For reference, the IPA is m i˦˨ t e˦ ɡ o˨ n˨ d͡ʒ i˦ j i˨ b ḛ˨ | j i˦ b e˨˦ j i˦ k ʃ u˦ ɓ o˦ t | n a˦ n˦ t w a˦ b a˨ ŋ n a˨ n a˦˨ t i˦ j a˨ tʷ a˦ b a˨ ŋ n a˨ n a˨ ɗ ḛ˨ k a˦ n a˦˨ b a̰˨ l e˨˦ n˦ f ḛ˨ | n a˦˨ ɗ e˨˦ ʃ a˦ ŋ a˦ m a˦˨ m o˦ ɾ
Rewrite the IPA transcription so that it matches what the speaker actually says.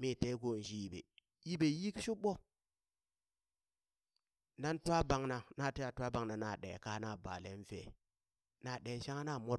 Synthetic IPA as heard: m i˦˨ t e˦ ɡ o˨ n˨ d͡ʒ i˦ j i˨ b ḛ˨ | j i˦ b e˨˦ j i˦ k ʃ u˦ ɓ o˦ | n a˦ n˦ t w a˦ b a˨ ŋ n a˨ n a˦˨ t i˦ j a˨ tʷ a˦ b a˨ ŋ n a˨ n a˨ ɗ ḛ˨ k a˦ n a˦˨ b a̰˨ l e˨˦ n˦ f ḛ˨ | n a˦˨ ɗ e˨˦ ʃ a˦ ŋ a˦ n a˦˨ m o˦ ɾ

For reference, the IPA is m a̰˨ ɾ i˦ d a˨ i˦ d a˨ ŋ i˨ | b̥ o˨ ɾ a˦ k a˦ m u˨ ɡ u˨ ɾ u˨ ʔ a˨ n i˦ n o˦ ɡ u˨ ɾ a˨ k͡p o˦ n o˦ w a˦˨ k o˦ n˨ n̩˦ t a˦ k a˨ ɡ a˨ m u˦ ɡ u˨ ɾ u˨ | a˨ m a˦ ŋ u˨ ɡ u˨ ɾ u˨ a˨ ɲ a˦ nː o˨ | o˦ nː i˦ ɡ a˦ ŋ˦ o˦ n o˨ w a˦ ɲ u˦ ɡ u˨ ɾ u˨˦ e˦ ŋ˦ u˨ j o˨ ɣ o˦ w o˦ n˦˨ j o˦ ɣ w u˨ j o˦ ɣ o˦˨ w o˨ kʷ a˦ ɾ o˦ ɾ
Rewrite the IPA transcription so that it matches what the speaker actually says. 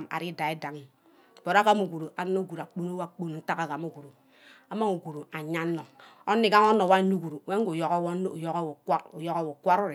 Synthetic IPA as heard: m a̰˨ ɾ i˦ d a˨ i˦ d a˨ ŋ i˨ | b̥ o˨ ɾ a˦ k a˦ m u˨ ɡ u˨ ɾ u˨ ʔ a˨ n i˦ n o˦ ɡ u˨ ɾ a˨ k͡p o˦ n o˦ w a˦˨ k͡p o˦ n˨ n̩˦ t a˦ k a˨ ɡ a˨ m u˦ ɡ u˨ ɾ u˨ | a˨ m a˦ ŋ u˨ ɡ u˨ ɾ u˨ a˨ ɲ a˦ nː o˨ | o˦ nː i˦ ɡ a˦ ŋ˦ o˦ n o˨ w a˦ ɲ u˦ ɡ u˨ ɾ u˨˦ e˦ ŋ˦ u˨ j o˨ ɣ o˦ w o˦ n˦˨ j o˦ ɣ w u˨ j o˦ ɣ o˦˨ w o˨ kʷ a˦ ɾ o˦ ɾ

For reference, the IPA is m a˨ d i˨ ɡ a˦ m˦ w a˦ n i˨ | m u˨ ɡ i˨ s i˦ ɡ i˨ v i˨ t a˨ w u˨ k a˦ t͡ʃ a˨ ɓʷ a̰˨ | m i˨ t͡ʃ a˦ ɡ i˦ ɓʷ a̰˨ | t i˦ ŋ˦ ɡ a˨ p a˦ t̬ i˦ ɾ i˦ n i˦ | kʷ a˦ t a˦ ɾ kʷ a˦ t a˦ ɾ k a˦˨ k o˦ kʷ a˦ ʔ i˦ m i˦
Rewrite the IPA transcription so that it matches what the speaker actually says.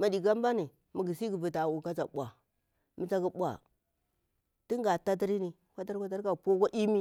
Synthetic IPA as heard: m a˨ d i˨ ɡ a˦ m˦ b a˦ n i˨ | m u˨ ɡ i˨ s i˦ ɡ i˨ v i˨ t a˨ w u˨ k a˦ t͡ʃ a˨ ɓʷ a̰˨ | m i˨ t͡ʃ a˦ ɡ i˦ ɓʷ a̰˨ | t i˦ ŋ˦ ɡ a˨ t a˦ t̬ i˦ ɾ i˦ n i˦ | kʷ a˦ t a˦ ɾ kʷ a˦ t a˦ ɾ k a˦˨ p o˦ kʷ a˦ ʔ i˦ m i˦

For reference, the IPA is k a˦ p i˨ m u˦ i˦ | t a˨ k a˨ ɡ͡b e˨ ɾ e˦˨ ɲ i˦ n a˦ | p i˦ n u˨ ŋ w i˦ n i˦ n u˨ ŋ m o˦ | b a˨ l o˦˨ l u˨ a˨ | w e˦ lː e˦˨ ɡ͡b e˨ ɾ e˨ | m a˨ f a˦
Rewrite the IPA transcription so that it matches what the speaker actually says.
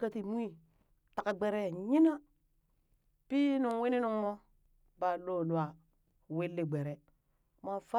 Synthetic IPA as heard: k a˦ t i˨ m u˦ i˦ | t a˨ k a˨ ɡ͡b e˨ ɾ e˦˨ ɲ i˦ n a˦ | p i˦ n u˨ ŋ w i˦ n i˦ n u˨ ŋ m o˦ | b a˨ l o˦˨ l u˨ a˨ | w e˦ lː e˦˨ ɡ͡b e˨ ɾ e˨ | m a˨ f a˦

